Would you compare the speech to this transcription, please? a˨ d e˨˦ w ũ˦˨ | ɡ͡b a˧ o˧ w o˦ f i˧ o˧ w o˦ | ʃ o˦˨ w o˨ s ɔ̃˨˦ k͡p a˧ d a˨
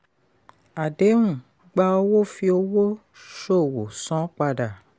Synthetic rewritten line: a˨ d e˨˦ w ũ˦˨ | ɡ͡b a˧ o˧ w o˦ f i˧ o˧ w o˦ | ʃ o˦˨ w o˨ s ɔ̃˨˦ k͡p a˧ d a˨

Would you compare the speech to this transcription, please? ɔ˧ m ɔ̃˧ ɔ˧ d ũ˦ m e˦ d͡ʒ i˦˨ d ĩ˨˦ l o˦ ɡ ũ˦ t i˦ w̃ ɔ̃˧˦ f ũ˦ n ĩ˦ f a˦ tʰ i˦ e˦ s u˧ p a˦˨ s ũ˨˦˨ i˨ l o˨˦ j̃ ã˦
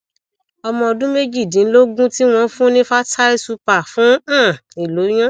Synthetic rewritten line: ɔ˧ m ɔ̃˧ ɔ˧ d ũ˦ m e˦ d͡ʒ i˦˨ d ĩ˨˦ l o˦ ɡ ũ˦ t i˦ w̃ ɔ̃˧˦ f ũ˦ n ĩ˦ f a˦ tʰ a˦ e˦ s u˧ p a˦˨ f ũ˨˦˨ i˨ l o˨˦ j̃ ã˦

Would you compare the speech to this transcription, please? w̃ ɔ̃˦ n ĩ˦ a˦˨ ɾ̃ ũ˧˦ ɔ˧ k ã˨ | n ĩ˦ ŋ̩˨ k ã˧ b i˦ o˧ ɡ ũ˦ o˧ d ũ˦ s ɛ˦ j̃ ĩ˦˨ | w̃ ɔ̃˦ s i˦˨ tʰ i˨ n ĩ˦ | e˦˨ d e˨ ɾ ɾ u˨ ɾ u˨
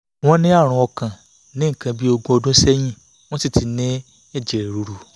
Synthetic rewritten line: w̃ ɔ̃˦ n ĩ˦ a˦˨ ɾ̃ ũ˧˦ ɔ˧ k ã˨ | n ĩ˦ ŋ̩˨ k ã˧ b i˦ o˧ ɡ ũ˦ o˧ d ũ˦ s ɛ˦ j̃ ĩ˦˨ | w̃ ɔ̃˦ s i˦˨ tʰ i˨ n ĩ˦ | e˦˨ d͡ʒ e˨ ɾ ɾ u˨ ɾ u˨

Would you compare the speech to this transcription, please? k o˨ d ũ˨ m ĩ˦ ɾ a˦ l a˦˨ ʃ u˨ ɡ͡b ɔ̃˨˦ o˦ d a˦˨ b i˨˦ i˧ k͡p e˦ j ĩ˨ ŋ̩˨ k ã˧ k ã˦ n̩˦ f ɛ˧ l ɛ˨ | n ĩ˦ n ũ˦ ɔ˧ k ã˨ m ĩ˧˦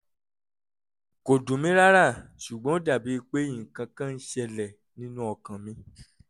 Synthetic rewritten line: k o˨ d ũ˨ m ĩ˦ ɾ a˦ ɾ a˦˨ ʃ u˨ ɡ͡b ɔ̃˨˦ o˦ d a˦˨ b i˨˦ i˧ k͡p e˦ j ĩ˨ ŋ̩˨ k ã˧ k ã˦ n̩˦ ʃ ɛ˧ l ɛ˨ | n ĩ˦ n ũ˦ ɔ˧ k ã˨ m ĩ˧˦

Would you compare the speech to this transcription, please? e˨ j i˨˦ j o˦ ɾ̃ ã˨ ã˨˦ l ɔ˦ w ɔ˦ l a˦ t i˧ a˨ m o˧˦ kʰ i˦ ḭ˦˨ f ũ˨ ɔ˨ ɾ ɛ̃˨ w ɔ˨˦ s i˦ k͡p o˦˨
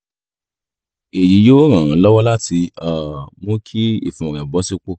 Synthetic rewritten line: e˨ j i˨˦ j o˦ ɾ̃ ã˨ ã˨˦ l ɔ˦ w ɔ˦ l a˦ t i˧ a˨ m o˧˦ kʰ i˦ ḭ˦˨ f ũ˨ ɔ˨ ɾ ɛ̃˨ b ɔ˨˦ s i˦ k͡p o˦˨

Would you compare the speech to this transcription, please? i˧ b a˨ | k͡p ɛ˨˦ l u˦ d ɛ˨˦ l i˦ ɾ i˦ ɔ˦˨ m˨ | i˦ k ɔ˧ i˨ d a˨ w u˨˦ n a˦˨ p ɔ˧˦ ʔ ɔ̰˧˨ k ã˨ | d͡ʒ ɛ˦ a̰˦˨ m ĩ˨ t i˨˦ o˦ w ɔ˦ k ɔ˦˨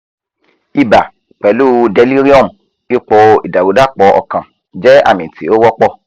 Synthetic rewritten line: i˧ b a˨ | k͡p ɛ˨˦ l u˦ d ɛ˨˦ l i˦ ɾ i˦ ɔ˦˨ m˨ | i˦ k͡p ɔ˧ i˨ d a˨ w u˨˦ d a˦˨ k͡p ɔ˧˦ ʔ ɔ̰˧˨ k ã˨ | d͡ʒ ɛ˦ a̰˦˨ m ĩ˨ t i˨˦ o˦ w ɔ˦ k͡p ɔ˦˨

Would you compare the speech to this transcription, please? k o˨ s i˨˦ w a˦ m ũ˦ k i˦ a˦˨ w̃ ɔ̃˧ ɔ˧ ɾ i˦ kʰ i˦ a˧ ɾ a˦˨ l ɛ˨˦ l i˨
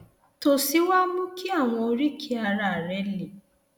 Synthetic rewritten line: t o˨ s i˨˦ w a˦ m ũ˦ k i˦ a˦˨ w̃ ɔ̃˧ o˧ ɾ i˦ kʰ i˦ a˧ ɾ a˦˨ ɾ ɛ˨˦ l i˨

